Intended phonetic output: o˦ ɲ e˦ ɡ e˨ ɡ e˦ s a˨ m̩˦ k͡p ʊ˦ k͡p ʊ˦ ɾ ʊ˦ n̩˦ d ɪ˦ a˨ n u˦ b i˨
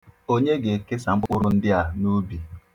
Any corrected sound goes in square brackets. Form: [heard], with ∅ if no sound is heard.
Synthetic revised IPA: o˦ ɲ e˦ ɡ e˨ [k] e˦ s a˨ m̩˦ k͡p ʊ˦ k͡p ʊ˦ ɾ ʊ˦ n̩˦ d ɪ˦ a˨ n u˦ b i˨